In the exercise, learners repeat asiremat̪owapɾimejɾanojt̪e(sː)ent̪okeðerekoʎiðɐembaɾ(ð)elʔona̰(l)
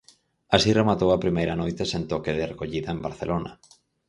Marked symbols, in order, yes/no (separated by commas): no, no, no